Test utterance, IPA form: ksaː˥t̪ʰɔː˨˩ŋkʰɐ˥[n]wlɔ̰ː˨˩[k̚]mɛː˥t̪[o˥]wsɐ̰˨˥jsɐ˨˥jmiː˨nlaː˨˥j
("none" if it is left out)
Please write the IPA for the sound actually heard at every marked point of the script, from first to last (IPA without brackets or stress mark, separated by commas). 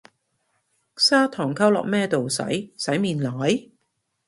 none, k̚, o˨